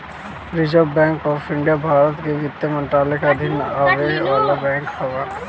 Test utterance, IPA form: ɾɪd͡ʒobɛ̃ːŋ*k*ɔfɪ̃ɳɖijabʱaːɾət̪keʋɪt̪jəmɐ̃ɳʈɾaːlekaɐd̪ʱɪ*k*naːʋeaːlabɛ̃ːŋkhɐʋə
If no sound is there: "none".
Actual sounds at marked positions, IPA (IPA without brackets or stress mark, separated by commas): k, none